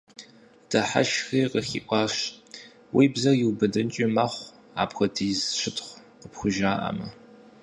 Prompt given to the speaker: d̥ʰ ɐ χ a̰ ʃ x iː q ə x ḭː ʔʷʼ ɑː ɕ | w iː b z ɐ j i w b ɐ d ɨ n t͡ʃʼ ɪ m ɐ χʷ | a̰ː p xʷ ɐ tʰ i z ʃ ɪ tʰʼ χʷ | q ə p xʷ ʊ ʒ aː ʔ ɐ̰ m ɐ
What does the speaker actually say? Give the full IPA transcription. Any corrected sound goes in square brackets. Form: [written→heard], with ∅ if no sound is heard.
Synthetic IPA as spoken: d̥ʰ ɐ [χ→ħ] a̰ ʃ x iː q ə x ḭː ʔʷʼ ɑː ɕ | w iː b z ɐ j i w b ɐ d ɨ n t͡ʃʼ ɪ m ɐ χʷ | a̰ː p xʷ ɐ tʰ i z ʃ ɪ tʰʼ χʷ | q ə p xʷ ʊ ʒ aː ʔ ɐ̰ m ɐ